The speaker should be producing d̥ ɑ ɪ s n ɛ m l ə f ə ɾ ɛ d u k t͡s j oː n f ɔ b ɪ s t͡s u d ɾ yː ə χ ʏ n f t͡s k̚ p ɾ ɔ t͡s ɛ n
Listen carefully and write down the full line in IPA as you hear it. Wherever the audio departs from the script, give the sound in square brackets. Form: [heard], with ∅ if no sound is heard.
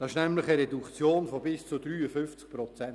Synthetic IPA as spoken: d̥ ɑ ɪ [ʃ] n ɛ m l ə [χ] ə ɾ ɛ d u k t͡s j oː n f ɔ b ɪ s t͡s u d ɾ yː ə [f] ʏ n f t͡s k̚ p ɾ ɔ t͡s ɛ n

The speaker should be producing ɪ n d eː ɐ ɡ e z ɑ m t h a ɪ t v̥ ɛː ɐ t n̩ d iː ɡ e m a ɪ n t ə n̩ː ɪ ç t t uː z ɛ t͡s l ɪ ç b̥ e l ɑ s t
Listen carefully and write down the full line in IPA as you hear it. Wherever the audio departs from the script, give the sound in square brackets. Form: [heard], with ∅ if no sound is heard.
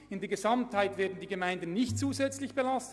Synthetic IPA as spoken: ɪ n d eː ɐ ɡ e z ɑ m t h a ɪ t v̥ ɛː ɐ [d] n̩ d iː ɡ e m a ɪ n [d] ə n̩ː ɪ ç t [t͡s] uː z ɛ t͡s l ɪ ç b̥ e l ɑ s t

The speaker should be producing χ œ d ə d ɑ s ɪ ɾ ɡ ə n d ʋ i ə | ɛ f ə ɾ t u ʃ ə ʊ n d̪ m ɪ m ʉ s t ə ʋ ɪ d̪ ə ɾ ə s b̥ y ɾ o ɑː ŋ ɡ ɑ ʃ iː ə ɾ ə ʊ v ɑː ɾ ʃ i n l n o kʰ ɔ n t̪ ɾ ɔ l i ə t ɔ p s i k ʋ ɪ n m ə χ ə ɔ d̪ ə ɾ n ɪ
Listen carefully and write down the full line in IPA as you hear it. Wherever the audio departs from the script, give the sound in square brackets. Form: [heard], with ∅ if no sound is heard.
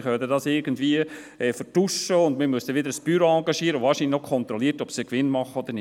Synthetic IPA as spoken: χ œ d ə d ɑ s ɪ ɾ ɡ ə n d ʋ i ə | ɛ f ə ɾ t u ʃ ə ʊ n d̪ m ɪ m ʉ s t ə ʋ ɪ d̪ ə ɾ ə s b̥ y ɾ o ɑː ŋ ɡ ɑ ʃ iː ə ɾ ə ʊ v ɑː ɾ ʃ i n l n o kʰ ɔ n t̪ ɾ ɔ l i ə t ɔ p s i k ʋ ɪ n m [ɑ] χ ə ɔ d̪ ə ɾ n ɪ

